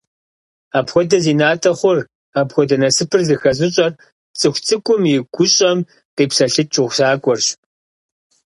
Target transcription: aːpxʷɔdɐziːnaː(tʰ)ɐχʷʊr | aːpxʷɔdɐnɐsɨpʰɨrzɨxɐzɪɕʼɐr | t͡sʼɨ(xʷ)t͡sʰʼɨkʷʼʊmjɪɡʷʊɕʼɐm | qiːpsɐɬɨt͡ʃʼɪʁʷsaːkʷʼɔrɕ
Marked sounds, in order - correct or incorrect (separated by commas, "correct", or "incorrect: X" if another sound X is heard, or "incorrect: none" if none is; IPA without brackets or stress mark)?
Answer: correct, correct